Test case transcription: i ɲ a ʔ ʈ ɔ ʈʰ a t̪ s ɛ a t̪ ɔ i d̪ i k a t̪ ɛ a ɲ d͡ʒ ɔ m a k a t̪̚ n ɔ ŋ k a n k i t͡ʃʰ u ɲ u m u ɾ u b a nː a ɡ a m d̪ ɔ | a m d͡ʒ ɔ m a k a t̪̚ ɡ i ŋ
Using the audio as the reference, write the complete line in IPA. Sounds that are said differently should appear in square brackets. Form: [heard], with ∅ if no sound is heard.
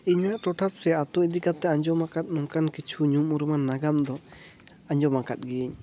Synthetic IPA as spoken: i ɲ a ʔ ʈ ɔ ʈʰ a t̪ s ɛ a t̪ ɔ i d̪ i k a t̪ ɛ a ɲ d͡ʒ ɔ m a k a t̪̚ n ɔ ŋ k a n k i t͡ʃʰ u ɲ u m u ɾ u [m] a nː a ɡ a m d̪ ɔ | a [ɲ] d͡ʒ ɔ m a k a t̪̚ ɡ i [ɲ]